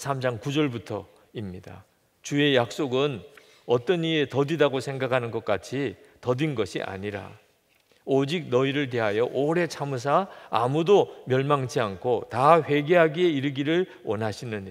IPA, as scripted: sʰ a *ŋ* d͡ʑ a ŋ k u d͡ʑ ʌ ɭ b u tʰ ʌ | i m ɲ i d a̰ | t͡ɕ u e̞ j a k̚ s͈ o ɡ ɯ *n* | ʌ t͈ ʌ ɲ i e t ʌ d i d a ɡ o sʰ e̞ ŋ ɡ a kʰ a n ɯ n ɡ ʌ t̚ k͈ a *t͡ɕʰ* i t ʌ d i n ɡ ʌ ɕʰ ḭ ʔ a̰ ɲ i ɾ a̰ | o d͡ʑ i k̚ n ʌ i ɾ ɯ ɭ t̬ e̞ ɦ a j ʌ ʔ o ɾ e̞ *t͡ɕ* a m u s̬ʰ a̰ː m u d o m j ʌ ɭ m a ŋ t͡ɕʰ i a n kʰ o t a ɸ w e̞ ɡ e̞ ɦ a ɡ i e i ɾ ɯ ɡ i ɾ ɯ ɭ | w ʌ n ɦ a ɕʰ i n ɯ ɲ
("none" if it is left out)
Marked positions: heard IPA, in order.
m, n, t͡ɕʰ, t͡ɕʰ

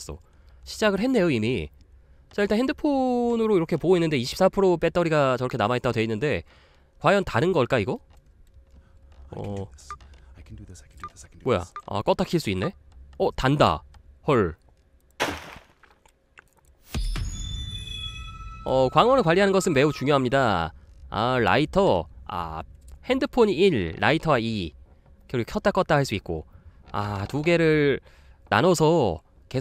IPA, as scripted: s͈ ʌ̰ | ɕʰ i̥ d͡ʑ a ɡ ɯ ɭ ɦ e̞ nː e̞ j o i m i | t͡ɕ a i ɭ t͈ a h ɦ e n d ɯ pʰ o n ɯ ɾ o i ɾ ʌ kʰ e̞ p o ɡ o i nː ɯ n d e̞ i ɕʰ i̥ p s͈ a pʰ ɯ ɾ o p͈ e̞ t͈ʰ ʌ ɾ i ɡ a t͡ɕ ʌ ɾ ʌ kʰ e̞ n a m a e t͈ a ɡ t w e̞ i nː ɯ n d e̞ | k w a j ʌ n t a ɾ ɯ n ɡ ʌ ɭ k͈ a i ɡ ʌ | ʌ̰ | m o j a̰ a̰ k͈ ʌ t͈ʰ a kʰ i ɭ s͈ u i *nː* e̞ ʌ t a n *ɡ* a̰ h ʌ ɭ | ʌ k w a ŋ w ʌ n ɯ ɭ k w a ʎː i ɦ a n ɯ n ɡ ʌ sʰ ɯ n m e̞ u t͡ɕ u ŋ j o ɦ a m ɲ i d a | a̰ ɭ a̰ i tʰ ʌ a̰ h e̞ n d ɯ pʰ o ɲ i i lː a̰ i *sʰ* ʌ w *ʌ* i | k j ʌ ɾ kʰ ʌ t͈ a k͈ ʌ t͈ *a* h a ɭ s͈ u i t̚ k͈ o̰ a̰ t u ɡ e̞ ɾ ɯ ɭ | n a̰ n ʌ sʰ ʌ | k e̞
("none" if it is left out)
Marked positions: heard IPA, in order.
nː, d, tʰ, a, a

